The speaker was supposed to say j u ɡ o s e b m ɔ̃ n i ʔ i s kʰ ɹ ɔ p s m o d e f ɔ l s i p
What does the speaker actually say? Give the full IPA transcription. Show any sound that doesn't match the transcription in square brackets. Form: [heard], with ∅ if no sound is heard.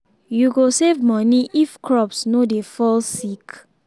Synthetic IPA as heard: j u ɡ o s e [v] m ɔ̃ n i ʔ i [f] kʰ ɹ ɔ p s [n] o d e f ɔ l s i [k]